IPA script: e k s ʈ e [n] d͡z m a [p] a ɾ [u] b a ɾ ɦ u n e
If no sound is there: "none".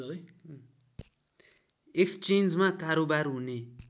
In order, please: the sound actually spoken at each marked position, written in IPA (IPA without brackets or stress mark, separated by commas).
n, k, o